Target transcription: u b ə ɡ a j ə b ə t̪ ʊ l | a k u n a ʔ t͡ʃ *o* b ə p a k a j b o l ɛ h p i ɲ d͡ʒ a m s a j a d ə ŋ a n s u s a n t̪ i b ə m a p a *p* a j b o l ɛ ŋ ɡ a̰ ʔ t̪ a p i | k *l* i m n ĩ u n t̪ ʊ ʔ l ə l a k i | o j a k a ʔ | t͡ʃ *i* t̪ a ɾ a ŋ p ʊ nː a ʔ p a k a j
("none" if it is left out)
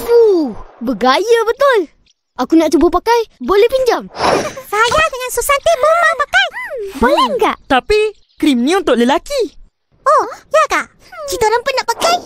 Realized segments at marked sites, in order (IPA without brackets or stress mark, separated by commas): u, k, ɾ, i